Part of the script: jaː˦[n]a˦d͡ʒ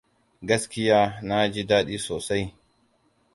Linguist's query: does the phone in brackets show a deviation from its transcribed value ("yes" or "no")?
no